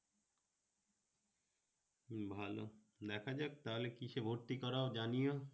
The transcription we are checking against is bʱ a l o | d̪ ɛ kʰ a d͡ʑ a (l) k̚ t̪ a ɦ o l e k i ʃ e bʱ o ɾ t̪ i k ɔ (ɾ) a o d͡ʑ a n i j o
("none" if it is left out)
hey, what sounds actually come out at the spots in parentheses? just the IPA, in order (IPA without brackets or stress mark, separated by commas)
none, ɾ